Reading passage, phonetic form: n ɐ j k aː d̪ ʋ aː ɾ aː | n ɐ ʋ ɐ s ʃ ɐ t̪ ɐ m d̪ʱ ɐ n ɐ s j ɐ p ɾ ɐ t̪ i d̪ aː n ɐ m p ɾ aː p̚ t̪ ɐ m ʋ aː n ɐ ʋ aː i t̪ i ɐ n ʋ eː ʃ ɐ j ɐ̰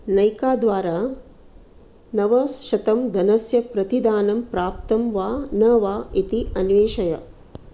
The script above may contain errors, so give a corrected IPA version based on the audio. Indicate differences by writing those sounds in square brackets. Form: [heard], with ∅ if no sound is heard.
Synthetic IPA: n ɐ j k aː d̪ ʋ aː ɾ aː | n ɐ ʋ ɐ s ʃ ɐ t̪ ɐ m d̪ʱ ɐ n ɐ s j ɐ p ɾ ɐ t̪ i d̪ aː n ɐ m p ɾ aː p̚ t̪ ɐ m ʋ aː n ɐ ʋ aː i t̪ i ɐ n ʋ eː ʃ ɐ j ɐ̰